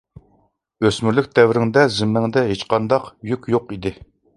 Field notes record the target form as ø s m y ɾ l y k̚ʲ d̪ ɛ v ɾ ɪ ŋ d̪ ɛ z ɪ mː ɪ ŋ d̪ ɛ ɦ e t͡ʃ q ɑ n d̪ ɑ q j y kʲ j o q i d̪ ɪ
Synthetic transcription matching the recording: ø s m y ɾ l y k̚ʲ d̪ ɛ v ɾ ɪ ŋ d̪ ɛ z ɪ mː ɪ ŋ d̪ ɛ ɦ e t͡ʃ q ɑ n d̪ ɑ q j y kʲ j o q i d̪ ɪ